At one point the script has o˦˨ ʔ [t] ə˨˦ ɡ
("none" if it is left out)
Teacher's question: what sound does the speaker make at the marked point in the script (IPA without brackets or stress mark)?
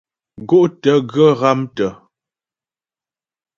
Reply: t